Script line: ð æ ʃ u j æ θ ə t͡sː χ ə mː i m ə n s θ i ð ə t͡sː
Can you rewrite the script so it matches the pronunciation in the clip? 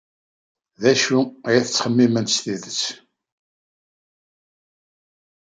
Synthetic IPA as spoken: ð æ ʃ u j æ θ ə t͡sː χ ə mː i m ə n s θ i ð ə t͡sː